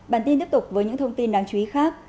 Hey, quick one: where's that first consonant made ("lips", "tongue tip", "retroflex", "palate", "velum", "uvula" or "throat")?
lips